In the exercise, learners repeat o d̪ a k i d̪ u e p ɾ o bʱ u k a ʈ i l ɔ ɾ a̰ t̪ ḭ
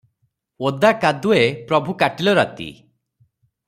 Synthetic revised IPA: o d̪ a k a d̪ u e p ɾ ɔ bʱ u k a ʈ i l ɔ ɾ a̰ t̪ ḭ